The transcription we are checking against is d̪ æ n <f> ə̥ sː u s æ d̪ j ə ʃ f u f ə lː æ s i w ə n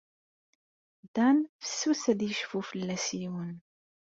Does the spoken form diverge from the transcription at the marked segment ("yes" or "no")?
no